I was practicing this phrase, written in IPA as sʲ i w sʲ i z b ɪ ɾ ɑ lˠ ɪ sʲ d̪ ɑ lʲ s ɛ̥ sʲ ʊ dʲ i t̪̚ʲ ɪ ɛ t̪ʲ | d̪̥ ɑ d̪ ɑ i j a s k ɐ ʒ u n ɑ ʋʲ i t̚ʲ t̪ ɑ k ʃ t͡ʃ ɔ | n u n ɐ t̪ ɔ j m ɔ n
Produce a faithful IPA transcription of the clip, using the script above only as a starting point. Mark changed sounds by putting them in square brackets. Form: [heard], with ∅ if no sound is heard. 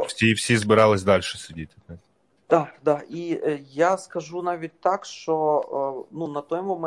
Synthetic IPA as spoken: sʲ i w sʲ i z b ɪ ɾ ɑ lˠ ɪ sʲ d̪ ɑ lʲ [ʃ] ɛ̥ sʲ ʊ dʲ i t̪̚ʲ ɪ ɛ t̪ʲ | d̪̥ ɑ d̪ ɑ i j a s k ɐ ʒ u n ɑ ʋʲ i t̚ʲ t̪ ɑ k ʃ t͡ʃ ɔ | n u n ɐ t̪ ɔ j m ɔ [m]